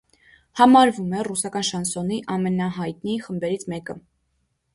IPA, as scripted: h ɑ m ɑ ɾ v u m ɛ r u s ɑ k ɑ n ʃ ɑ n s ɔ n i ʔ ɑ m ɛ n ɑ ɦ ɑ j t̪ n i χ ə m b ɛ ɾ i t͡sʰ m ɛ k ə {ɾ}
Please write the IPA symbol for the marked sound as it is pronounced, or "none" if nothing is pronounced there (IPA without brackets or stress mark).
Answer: none